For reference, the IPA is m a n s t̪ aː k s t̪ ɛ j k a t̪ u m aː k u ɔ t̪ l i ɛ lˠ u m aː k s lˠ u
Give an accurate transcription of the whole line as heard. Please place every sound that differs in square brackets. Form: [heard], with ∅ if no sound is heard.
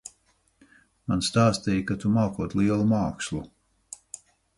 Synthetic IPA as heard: m a n s t̪ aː [∅] s t̪ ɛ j k a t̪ u m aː k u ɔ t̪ l i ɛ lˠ u m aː k s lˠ u